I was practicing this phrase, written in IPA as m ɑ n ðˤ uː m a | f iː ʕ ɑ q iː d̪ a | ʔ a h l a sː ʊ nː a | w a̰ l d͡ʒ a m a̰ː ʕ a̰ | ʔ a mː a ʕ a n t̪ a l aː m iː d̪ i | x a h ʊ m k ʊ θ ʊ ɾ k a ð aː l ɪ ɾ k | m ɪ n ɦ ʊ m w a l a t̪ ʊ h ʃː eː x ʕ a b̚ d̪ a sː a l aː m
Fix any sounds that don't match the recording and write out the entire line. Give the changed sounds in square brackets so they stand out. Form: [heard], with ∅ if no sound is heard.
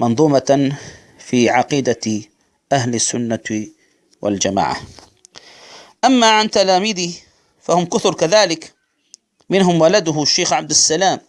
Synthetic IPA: m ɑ n ðˤ uː m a | f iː ʕ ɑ q iː d̪ a | ʔ a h l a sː ʊ nː a | w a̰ l d͡ʒ a m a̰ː ʕ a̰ | ʔ a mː a ʕ a n t̪ a l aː m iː d̪ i | [f] a h ʊ m k ʊ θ ʊ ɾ k a ð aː l ɪ [∅] k | m ɪ n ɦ ʊ m w a l a [d̪] ʊ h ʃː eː x ʕ a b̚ d̪ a sː a l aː m

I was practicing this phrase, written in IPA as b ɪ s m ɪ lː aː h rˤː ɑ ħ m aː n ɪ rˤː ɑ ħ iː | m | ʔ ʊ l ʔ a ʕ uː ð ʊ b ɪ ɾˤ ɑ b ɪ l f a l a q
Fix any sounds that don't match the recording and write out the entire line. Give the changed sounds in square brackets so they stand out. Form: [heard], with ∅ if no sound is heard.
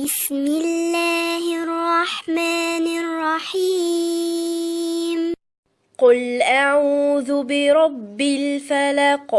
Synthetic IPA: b ɪ s m ɪ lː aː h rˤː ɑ ħ m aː n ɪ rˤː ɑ ħ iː | m | [q] ʊ l ʔ a ʕ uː ð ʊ b ɪ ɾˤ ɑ [bː] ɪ l f a l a q

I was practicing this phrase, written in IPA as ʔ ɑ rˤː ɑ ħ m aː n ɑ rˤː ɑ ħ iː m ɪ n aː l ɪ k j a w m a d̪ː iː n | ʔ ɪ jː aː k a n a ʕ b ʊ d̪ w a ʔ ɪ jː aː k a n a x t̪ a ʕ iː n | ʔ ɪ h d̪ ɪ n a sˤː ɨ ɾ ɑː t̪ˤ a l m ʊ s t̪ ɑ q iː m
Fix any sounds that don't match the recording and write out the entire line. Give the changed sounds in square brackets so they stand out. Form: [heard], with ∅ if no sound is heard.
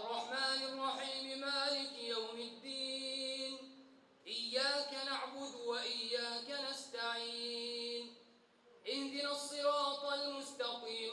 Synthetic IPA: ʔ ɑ rˤː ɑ ħ m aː n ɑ rˤː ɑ ħ iː m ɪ [m] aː l ɪ k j a w m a d̪ː iː n | ʔ ɪ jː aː k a n a ʕ b ʊ d̪ w a ʔ ɪ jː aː k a n a [s] t̪ a ʕ iː n | ʔ ɪ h d̪ ɪ n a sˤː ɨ ɾ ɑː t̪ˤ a l m ʊ s t̪ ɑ q iː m

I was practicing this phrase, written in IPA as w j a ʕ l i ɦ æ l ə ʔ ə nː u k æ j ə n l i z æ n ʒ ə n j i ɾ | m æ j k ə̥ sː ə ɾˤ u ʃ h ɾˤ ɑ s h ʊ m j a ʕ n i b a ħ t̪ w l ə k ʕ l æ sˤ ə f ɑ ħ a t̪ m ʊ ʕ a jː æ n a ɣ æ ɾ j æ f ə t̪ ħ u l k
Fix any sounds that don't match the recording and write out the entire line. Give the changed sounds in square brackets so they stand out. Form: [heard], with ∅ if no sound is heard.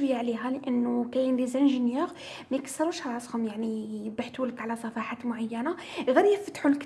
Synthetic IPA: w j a ʕ l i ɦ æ l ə ʔ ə nː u k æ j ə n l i z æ n ʒ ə n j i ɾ | m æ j k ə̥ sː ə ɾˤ u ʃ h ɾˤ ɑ s h ʊ m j a ʕ n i b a ħ t̪ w l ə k ʕ l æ sˤ [ɑ] f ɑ ħ a t̪ m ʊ ʕ a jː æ n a ɣ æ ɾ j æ f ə t̪ ħ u l k

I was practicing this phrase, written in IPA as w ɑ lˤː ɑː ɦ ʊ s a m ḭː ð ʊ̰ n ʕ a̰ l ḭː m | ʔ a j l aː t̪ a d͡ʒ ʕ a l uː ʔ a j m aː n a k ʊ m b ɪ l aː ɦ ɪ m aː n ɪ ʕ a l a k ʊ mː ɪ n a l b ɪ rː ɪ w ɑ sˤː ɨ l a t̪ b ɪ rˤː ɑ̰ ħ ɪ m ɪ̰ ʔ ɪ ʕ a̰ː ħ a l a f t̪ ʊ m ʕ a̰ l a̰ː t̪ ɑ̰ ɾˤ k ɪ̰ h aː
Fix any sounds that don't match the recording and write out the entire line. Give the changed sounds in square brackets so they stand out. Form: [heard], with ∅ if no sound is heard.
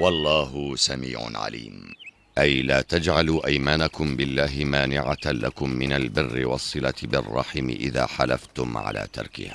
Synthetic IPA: w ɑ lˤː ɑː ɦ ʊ s a m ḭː [ʕ] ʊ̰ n ʕ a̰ l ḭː m | ʔ a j l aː t̪ a d͡ʒ ʕ a l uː ʔ a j m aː n a k ʊ m b ɪ [lː] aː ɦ ɪ m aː n ɪ ʕ a l a k ʊ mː ɪ n a l b ɪ rː ɪ w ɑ sˤː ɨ l a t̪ b ɪ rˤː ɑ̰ ħ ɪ m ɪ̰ ʔ ɪ [ð] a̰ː ħ a l a f t̪ ʊ m ʕ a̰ l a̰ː t̪ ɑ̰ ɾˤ k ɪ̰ h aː

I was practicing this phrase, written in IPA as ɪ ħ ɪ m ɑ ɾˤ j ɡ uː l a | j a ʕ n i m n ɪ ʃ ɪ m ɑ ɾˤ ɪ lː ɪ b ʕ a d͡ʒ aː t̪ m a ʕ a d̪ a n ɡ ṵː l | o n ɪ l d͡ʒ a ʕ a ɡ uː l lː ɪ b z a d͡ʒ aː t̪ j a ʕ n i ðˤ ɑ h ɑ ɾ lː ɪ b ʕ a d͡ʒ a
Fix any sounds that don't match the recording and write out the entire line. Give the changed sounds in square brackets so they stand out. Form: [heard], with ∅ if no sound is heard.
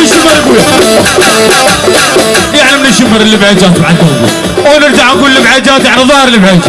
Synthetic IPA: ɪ [ʃ] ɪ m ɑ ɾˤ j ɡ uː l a | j a ʕ n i m n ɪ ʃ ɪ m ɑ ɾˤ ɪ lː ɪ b ʕ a d͡ʒ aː t̪ m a ʕ a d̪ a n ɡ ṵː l | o n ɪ [ɾ] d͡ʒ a ʕ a ɡ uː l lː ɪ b [ʕ] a d͡ʒ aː t̪ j a ʕ n i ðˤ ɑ h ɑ ɾ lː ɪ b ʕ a d͡ʒ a

